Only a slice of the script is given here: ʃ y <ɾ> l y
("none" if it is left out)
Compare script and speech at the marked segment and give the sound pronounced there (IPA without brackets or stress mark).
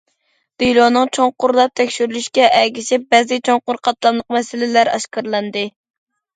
ɾ